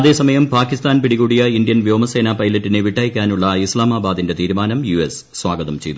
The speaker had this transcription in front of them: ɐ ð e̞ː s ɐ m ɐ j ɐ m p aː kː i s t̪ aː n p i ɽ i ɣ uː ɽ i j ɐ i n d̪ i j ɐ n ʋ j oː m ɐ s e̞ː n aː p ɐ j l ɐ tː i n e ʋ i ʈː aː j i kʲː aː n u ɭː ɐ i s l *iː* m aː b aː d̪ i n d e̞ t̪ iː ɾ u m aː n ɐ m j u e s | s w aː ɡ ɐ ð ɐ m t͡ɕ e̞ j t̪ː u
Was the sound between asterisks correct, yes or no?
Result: no